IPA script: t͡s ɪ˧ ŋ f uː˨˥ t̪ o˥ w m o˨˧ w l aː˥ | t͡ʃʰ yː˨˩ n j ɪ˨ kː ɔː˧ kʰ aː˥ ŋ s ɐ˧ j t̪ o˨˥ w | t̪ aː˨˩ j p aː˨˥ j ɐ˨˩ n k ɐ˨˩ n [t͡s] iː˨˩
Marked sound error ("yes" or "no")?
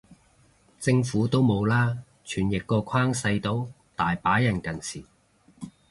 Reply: yes